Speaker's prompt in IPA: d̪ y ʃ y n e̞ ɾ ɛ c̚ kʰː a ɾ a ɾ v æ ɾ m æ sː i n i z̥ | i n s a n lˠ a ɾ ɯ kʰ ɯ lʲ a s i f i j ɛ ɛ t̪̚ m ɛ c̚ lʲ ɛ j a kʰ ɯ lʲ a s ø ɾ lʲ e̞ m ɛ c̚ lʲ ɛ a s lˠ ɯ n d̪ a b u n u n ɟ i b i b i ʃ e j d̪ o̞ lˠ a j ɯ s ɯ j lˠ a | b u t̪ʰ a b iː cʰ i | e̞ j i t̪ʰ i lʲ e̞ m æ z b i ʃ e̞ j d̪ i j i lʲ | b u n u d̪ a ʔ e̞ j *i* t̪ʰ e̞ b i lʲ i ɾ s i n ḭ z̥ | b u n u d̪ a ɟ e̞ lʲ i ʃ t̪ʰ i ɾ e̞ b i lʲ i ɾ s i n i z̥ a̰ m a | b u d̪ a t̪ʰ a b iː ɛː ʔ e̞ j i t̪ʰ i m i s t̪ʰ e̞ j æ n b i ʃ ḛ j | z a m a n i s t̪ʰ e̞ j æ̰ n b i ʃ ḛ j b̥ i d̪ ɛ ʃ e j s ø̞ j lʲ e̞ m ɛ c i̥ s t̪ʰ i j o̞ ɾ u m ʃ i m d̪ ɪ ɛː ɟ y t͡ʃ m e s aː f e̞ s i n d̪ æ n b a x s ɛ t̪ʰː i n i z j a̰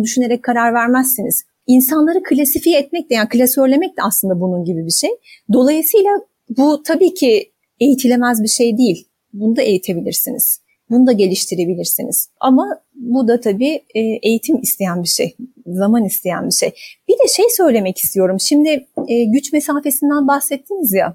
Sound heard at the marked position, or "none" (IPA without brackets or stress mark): i